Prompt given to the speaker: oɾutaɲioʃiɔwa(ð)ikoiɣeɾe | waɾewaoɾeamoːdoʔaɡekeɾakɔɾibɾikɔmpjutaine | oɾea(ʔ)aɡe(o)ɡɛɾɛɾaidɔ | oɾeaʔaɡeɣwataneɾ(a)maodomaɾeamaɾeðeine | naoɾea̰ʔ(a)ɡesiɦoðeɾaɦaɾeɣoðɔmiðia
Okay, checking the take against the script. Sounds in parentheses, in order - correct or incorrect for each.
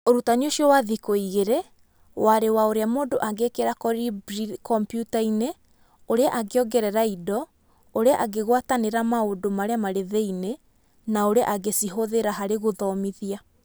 correct, correct, incorrect, correct, correct

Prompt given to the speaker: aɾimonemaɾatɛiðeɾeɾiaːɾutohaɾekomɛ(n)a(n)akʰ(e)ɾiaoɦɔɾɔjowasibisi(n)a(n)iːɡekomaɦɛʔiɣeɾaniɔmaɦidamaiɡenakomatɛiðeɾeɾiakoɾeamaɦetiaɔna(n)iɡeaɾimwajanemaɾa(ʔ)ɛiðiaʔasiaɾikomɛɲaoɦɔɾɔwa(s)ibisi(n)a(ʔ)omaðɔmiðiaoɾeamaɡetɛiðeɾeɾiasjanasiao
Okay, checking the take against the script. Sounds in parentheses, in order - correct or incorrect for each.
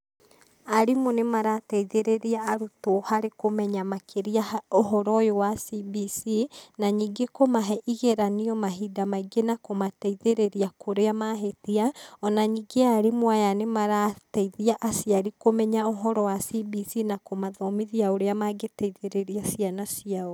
incorrect, incorrect, correct, correct, incorrect, incorrect, incorrect, correct, correct, incorrect

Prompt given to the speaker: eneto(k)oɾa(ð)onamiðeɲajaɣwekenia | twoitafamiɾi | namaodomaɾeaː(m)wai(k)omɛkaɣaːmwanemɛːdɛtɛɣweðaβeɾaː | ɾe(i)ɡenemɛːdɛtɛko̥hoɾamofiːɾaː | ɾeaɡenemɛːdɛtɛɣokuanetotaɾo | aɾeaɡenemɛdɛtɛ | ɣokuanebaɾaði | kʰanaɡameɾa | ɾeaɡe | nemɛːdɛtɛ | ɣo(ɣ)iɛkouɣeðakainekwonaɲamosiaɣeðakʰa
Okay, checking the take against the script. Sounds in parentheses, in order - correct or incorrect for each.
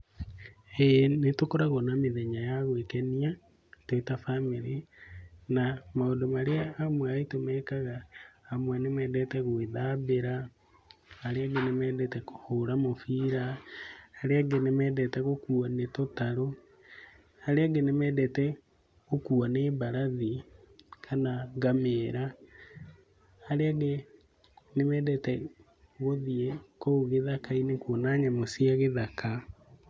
correct, incorrect, correct, incorrect, incorrect, incorrect

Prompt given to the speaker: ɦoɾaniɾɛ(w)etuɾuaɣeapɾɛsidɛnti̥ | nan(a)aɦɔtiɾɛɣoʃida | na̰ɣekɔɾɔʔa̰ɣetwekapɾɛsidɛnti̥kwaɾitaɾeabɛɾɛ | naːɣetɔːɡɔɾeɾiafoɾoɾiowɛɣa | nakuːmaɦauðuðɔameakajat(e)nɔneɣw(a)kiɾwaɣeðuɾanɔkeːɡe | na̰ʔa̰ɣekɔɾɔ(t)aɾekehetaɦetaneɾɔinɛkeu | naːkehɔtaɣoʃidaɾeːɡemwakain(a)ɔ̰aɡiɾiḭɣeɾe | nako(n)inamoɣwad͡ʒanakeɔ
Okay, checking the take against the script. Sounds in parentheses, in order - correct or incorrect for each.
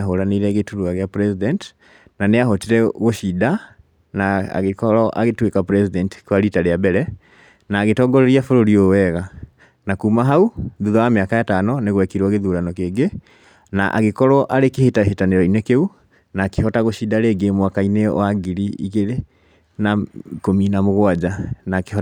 incorrect, incorrect, incorrect, incorrect, incorrect, incorrect, incorrect

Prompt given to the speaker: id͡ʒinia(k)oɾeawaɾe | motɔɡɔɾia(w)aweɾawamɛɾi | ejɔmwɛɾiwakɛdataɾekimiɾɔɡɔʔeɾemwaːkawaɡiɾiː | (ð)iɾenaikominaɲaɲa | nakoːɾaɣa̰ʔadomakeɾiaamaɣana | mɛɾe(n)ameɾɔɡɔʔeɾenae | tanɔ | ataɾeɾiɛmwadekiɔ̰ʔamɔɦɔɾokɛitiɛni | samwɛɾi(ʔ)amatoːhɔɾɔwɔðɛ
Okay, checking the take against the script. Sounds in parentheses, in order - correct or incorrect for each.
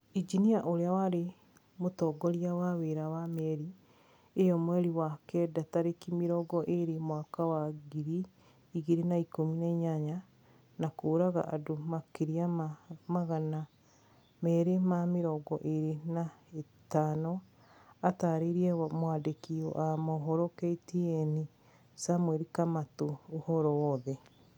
incorrect, correct, incorrect, incorrect, incorrect

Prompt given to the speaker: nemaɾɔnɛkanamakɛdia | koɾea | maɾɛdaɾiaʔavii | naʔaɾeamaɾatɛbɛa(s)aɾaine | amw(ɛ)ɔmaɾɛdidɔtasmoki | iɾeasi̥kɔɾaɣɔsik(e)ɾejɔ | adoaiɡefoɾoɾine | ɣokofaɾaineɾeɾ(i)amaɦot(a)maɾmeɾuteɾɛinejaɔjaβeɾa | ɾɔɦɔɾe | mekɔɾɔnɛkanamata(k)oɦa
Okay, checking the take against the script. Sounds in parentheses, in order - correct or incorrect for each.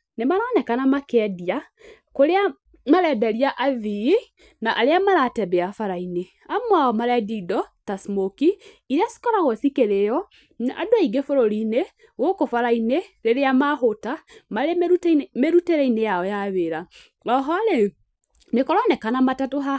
incorrect, incorrect, correct, incorrect, correct, incorrect

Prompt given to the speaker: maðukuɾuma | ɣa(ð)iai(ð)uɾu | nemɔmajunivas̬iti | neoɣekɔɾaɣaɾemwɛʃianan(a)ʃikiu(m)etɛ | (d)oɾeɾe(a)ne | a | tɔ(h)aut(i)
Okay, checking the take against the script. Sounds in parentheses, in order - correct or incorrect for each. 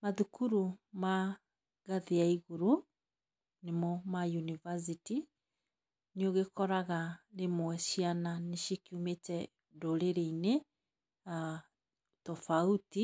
correct, incorrect, incorrect, correct, correct, incorrect, incorrect, correct

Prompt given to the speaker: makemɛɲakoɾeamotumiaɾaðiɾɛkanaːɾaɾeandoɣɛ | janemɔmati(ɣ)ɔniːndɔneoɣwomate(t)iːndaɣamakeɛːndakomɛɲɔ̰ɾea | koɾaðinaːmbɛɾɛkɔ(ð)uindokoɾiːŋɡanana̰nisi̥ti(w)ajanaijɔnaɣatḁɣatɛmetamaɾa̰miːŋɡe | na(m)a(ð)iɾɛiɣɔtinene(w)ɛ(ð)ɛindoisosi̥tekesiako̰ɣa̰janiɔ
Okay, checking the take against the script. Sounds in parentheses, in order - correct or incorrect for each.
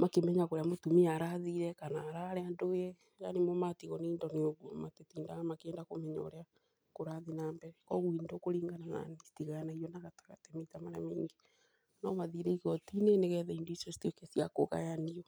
correct, correct, incorrect, incorrect, correct, correct, incorrect, correct

